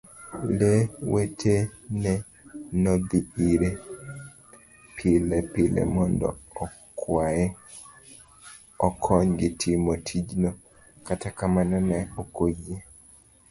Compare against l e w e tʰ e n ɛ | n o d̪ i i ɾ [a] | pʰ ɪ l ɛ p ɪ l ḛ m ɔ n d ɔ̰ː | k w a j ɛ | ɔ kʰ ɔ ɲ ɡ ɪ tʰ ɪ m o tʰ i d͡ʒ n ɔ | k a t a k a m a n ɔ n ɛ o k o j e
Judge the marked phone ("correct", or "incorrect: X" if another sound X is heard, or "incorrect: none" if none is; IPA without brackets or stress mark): incorrect: e